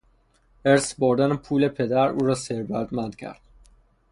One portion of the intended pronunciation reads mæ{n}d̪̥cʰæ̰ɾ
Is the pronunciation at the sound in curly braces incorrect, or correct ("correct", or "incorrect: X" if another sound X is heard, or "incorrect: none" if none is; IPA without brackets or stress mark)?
correct